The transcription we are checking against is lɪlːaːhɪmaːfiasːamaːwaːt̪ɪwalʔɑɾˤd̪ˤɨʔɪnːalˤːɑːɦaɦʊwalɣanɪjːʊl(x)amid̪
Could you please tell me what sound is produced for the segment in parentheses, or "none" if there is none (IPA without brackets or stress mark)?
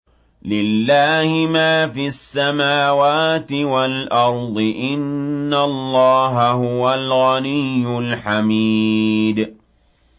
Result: ħ